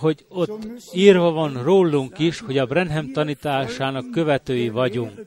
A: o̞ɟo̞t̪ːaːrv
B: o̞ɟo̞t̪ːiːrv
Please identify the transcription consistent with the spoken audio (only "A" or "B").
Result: B